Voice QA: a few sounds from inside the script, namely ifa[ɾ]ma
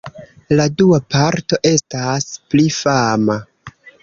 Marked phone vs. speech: incorrect: none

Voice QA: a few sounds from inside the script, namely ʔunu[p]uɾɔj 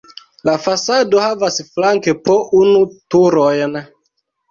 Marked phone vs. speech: incorrect: t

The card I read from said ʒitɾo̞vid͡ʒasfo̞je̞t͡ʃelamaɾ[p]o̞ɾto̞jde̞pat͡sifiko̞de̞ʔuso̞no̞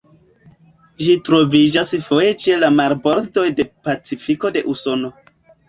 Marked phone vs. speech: incorrect: b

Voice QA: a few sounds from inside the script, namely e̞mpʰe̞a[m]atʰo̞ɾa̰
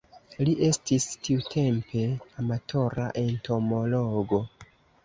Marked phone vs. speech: correct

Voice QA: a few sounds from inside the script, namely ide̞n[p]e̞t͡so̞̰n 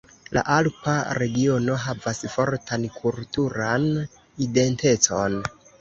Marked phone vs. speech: incorrect: t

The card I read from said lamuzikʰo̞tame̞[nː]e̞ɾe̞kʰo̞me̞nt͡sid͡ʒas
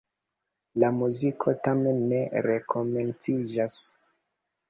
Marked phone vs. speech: correct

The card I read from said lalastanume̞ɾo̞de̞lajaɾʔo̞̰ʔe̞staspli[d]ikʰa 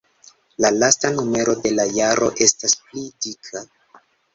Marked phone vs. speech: correct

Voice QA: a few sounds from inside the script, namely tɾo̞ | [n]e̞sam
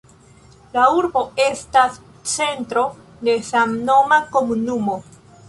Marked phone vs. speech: incorrect: d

